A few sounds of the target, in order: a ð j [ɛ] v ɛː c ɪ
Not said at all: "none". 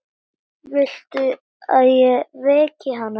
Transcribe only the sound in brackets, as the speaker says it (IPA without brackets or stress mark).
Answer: ɛ